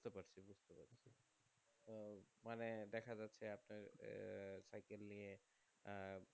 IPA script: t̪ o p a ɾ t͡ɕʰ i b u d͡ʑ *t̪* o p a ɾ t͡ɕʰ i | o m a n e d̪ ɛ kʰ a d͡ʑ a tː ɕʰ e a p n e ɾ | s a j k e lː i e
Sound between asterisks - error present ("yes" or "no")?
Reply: no